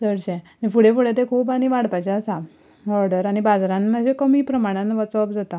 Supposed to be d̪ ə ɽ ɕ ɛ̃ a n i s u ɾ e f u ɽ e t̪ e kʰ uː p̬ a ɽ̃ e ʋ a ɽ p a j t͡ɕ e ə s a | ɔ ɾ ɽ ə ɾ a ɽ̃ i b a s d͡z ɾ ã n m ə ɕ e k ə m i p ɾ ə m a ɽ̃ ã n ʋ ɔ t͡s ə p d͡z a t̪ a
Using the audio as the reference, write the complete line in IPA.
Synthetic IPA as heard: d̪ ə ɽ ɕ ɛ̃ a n i f u ɽ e f u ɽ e t̪ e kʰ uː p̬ a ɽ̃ i ʋ a ɽ p a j t͡ɕ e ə s a | ɔ ɾ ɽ ə ɾ a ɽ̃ i b a d͡z ɾ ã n m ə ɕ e k ə m i p ɾ ə m a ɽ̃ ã n ʋ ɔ t͡s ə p d͡z a t̪ a